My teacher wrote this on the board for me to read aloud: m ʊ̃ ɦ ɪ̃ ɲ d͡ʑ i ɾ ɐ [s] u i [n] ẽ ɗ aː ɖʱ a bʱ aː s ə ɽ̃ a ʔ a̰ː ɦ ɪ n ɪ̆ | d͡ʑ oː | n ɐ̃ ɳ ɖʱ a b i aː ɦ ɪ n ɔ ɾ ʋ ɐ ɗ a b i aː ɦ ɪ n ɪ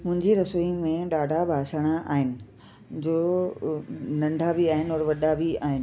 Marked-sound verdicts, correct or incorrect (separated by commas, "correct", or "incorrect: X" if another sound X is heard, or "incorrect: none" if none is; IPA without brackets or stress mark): correct, incorrect: m